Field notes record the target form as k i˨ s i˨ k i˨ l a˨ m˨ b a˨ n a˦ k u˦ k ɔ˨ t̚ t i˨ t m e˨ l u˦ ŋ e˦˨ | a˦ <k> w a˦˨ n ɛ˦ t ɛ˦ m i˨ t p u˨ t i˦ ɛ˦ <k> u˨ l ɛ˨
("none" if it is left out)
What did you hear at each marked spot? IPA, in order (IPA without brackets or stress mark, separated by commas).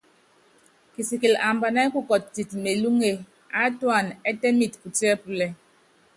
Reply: t, p